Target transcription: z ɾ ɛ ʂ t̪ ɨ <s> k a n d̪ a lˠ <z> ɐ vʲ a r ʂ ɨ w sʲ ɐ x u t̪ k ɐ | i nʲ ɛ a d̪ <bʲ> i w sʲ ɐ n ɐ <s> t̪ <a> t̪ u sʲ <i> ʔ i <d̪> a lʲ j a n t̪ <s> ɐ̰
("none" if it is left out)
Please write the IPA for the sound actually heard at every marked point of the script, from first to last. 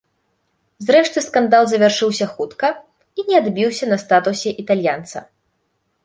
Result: s, z, bʲ, s, a, ɛ, t̪, s

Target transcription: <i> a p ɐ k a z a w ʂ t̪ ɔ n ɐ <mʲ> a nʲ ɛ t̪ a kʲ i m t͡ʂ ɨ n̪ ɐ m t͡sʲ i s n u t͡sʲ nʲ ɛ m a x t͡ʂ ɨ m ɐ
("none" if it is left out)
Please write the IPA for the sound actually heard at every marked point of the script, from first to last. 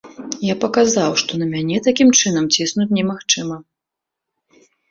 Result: j, mʲ

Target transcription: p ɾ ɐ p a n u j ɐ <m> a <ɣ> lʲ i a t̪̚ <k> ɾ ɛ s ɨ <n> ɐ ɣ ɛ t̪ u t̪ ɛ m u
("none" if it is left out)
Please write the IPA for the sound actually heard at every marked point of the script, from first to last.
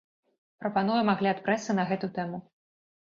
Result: m, ɣ, p, n

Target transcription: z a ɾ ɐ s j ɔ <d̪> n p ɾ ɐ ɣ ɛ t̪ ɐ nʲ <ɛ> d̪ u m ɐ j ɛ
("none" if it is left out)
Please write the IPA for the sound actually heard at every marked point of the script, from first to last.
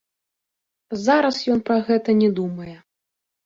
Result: none, ɛ

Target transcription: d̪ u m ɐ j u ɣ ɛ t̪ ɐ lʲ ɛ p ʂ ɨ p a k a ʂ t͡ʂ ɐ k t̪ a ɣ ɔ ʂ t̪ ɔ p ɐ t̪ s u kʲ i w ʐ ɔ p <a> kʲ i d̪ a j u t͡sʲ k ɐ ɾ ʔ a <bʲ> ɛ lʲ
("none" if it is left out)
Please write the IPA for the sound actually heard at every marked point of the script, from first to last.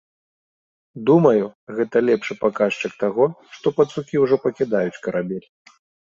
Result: ɐ, bʲ

